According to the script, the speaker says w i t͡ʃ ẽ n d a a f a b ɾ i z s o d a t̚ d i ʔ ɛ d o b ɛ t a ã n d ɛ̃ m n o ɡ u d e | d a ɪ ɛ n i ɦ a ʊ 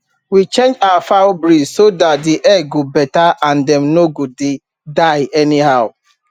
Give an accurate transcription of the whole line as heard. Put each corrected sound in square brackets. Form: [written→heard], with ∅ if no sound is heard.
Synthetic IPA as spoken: w i t͡ʃ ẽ n [d→d͡ʒ] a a f a b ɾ i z s o d a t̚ d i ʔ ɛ [d→ɡ] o b ɛ t a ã n d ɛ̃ m n o ɡ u d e | d a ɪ ɛ n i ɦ a ʊ